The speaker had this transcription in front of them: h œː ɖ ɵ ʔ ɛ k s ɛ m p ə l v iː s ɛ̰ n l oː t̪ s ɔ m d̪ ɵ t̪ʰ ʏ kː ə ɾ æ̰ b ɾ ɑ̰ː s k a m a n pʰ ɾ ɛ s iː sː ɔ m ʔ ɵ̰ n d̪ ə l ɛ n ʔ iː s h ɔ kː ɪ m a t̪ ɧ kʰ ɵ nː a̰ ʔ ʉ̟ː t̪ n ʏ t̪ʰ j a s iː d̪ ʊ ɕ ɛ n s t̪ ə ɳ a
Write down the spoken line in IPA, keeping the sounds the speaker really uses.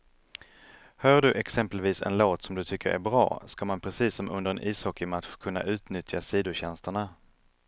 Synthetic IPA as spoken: h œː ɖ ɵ ʔ ɛ k s ɛ m p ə l v iː s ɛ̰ n l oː t̪ s ɔ m d̪ ɵ t̪ʰ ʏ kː ə ɾ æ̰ b ɾ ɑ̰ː s k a m a n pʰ ɾ ɛ s iː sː ɔ m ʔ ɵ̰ n d̪ ə ɾ ɛ n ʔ iː s h ɔ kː ɪ m a t̪ ɧ kʰ ɵ nː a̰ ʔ ʉ̟ː t̪ n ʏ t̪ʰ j a s iː d̪ ʊ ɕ ɛ n s t̪ ə ɳ a